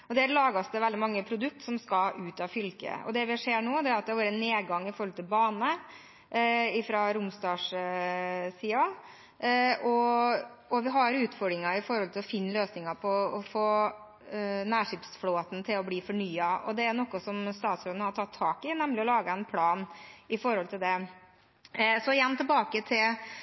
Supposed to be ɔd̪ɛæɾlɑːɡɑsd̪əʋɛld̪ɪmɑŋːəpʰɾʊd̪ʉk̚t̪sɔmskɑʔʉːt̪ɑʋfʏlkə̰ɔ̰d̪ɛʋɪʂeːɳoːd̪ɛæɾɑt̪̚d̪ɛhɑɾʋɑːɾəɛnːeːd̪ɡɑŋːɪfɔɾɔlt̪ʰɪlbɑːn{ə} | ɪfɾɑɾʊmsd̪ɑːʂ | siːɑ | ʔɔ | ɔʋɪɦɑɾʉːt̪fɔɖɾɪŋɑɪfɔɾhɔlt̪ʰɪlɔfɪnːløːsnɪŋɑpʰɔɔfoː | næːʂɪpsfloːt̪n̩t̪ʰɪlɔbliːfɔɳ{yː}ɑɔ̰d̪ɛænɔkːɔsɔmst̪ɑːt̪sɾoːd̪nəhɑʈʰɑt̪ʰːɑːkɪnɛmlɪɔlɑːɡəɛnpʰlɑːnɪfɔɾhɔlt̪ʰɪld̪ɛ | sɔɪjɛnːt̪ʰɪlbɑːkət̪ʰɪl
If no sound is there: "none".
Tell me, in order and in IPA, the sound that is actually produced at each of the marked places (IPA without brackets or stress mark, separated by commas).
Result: ə, yː